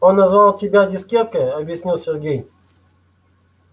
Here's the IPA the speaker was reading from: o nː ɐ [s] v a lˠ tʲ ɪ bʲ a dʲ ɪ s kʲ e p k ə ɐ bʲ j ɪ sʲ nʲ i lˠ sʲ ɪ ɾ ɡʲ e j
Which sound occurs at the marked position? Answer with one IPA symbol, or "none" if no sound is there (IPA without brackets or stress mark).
z